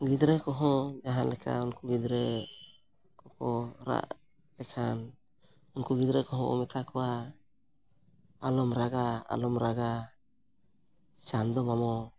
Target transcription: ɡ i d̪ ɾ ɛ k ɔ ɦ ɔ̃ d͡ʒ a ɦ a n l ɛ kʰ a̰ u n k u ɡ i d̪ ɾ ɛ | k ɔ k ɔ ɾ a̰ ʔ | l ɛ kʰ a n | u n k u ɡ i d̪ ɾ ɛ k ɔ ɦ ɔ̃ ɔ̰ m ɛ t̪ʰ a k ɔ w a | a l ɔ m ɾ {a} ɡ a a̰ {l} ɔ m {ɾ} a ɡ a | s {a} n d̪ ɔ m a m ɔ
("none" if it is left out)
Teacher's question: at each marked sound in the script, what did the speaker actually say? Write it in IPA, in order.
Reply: a, l, ɾ, a

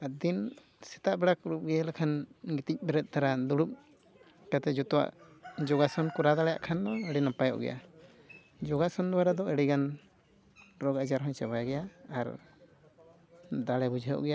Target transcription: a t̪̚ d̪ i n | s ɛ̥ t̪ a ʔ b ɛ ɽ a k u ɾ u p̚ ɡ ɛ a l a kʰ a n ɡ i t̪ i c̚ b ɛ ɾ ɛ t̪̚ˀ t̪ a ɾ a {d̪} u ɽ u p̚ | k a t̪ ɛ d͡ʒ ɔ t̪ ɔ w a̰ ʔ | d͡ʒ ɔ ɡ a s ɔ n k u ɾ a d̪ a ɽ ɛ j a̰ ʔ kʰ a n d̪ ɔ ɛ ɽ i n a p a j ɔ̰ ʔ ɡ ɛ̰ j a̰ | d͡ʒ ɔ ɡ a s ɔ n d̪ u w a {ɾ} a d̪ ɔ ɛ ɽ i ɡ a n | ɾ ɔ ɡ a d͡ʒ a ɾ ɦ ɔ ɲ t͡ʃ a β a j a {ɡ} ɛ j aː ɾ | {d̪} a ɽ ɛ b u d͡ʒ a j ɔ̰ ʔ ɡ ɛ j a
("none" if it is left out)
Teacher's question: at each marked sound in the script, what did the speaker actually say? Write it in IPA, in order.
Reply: d̪, ɾ, ɡ, d̪

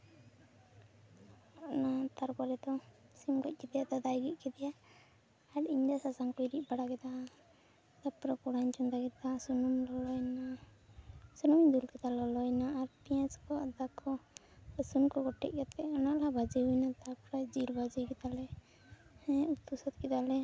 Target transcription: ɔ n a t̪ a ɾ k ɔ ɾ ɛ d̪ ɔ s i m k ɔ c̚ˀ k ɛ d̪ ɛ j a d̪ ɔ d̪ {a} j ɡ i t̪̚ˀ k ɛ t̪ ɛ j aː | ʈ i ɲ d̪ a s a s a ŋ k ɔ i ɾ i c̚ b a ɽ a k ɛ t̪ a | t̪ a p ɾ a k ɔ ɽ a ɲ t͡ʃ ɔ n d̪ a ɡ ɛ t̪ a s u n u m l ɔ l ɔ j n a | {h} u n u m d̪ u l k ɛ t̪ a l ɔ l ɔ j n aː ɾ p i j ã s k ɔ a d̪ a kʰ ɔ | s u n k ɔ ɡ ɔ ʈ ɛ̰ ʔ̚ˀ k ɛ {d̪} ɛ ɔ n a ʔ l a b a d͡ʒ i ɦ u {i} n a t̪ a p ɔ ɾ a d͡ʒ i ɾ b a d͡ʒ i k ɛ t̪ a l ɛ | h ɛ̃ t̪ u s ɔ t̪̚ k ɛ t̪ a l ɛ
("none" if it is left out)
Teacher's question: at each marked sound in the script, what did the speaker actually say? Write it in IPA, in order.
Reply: a, s, t̪, j

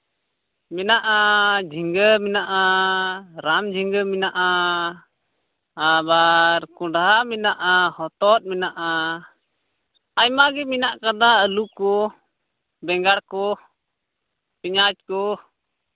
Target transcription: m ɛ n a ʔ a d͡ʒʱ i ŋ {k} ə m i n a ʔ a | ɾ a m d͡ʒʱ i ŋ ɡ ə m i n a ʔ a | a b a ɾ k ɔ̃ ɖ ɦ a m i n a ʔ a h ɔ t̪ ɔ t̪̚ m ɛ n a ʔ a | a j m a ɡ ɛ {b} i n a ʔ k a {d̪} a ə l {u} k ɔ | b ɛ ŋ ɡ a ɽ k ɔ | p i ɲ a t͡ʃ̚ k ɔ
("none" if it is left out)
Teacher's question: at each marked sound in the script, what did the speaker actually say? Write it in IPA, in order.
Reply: ɡ, m, d̪, u

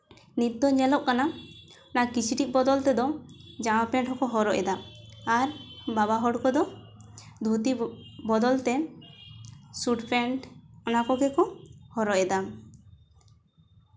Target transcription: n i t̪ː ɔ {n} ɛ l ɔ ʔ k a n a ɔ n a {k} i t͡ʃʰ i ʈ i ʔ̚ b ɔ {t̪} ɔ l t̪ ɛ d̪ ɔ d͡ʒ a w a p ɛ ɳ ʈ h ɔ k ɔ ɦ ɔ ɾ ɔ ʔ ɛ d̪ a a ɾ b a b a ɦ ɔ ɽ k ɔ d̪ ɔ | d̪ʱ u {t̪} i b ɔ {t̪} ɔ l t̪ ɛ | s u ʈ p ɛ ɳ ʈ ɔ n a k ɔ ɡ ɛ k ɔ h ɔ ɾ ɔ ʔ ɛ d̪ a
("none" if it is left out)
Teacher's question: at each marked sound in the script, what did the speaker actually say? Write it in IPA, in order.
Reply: ɲ, k, d̪, t̪, d̪

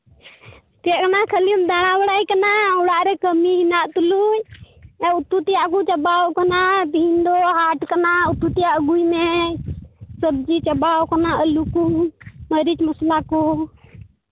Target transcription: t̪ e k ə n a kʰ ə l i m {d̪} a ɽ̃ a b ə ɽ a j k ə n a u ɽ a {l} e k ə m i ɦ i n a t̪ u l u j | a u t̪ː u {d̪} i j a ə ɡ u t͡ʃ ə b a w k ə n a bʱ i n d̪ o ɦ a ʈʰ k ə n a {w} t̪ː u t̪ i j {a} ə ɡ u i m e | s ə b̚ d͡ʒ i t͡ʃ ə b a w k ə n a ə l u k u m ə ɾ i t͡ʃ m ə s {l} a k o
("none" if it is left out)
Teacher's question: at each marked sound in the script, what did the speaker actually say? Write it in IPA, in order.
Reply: d̪, ɾ, t̪, u, a, l

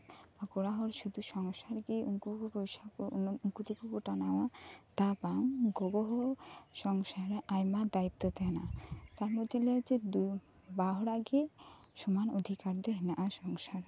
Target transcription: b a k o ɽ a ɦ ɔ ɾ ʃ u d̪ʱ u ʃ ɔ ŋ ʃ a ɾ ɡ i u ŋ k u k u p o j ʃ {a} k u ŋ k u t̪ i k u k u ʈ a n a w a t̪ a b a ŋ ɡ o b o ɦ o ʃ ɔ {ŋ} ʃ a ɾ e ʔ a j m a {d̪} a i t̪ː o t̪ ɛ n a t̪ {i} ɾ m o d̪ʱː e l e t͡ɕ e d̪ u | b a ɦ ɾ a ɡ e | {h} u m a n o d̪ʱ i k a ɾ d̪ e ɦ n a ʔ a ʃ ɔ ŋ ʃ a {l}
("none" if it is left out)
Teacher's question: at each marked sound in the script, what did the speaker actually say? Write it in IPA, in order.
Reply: a, ŋ, d̪, a, ʃ, ɾ

